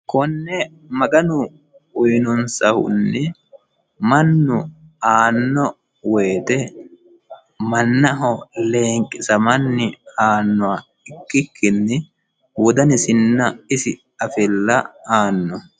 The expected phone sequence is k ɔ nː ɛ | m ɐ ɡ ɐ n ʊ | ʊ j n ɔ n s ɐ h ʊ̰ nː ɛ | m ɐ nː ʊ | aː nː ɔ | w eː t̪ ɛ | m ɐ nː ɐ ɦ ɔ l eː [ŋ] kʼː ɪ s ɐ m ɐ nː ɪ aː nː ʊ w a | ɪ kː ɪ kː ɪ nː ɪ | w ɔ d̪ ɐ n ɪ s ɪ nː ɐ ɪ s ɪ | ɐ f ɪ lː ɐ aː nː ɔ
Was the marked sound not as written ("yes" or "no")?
no